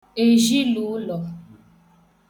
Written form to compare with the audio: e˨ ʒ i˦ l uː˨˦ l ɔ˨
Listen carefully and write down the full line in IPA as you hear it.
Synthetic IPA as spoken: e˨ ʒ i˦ l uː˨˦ l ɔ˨